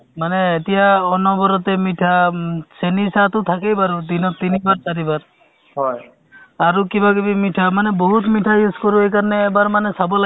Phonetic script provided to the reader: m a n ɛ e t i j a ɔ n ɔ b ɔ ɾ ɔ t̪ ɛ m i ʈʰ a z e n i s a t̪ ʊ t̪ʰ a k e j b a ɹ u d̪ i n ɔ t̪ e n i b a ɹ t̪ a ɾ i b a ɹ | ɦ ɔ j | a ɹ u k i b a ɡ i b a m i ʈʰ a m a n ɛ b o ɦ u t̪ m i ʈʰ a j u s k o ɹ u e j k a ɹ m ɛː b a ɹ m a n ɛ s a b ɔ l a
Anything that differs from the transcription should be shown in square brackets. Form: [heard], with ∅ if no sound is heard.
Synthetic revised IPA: m a n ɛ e t i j a ɔ n ɔ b ɔ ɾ ɔ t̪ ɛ m i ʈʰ a [s] e n i s a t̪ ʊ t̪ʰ a k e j b a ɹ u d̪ i n ɔ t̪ [i] n i b a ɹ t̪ a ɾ i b a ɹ | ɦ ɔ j | a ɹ u k i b a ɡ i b [i] m i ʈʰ a m a n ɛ b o ɦ u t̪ m i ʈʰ a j u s k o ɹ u e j k a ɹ [n] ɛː b a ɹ m a n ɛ s a b ɔ l a